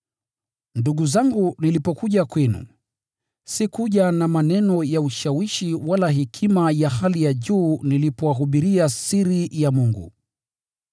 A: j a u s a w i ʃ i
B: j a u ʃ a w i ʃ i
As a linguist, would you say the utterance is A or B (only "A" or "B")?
B